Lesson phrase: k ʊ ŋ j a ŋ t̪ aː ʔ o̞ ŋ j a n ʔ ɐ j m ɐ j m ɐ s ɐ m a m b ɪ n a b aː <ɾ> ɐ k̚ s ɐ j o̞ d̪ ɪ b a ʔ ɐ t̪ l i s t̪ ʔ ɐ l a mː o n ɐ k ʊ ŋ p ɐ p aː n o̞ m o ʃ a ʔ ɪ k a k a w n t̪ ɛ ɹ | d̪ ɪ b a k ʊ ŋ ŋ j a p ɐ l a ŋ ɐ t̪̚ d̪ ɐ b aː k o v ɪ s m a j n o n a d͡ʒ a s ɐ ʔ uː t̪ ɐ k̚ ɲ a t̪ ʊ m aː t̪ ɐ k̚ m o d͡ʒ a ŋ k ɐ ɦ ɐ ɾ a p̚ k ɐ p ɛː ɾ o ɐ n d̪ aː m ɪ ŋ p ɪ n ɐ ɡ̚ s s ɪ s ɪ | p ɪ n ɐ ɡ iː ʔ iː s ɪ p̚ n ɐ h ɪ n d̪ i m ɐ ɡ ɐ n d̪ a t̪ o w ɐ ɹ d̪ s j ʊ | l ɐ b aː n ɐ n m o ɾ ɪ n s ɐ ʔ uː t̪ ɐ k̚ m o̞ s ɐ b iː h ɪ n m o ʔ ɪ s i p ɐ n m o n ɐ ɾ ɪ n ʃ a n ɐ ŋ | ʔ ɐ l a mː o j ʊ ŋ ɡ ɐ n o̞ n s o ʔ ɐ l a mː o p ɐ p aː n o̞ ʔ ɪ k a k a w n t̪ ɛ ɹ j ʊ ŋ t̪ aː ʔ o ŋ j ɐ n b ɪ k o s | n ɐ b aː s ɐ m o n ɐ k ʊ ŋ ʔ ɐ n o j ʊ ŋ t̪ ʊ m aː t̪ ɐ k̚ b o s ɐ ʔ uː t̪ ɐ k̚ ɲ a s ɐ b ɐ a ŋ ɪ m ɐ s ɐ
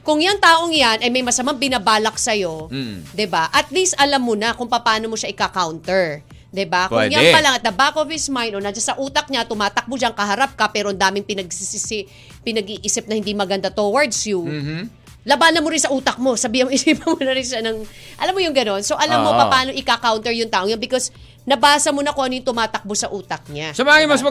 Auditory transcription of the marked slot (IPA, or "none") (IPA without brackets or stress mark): l